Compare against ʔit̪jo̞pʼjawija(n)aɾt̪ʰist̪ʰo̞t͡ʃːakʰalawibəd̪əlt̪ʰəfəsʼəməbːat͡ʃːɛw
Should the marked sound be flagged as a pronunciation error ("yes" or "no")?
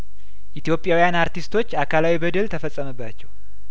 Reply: no